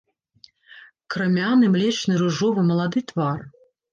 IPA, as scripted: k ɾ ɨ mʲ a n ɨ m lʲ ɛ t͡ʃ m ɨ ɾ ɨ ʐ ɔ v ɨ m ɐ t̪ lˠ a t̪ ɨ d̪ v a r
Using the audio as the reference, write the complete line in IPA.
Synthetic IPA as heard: k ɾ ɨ mʲ a n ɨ m lʲ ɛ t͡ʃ n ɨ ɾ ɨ ʐ ɔ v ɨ m ɐ lˠ a d̪ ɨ t̪ v a r